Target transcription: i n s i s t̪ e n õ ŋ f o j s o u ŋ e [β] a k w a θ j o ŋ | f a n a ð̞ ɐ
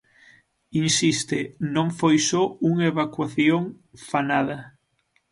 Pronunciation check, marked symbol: correct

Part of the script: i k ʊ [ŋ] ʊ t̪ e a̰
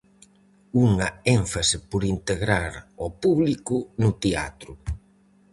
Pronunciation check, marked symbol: incorrect: n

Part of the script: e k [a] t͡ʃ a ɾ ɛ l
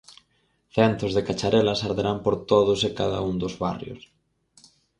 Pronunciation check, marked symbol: correct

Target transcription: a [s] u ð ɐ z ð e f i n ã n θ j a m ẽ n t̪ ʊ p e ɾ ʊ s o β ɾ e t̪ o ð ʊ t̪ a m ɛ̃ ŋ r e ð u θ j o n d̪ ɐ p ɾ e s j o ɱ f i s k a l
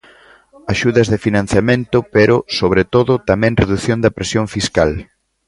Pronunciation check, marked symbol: incorrect: ʃ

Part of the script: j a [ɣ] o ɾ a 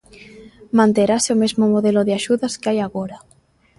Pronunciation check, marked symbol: correct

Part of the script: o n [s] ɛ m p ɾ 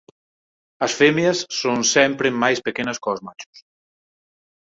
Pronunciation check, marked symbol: correct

